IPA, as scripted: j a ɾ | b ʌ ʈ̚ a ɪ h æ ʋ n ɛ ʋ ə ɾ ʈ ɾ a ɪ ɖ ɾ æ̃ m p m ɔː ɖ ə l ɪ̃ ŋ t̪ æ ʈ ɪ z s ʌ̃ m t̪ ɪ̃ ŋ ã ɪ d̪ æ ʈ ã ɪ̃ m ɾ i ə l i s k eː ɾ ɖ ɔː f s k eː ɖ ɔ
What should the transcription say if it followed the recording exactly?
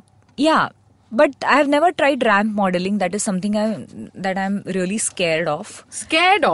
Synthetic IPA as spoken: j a | b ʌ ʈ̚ a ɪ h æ ʋ n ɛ ʋ ə ɾ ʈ ɾ a ɪ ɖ ɾ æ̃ m p m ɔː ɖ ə l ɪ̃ ŋ d̪ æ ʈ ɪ z s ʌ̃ m t̪ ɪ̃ ŋ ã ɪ d̪ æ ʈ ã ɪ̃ m ɾ i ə l i s k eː ɾ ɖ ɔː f s k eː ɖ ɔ